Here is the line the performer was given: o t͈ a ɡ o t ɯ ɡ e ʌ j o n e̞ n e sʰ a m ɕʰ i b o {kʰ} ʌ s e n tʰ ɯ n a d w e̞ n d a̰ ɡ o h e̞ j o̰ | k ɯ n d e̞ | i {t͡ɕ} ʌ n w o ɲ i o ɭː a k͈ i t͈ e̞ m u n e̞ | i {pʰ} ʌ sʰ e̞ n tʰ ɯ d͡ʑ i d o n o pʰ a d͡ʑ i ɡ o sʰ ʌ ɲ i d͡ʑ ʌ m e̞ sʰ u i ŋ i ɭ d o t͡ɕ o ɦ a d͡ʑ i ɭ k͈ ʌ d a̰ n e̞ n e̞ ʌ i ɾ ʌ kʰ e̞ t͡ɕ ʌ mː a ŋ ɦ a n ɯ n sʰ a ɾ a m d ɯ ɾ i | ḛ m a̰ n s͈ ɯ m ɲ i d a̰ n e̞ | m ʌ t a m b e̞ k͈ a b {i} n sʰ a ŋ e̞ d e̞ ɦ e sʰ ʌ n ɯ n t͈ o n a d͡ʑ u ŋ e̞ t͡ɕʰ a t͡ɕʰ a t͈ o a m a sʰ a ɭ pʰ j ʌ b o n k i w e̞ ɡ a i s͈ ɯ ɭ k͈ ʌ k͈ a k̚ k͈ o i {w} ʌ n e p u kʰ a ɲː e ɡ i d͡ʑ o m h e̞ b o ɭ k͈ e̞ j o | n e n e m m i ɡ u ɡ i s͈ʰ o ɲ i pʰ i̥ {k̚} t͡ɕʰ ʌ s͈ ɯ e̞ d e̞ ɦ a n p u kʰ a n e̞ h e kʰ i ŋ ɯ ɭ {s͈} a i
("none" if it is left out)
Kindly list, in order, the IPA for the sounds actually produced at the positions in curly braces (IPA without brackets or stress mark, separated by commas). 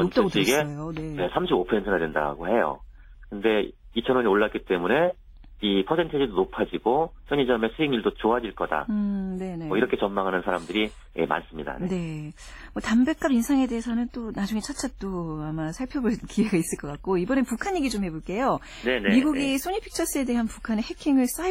pʰ, t͡ɕʰ, pʰ, i, b, k̚, s͈